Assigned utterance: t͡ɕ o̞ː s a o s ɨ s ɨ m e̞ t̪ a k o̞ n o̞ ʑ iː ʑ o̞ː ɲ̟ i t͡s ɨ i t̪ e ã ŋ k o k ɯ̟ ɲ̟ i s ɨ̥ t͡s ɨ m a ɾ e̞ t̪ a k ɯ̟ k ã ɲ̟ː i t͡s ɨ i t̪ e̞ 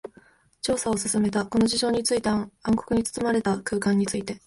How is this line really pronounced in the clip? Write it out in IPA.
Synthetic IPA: t͡ɕ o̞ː s a o s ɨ s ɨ m e̞ t̪ a k o̞ n o̞ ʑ i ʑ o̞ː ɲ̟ i t͡s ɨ i t̪ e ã ŋ k o k ɯ̟ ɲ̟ i t͡s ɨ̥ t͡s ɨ m a ɾ e̞ t̪ a k ɯ̟ː k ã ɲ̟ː i t͡s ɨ i t̪ e̞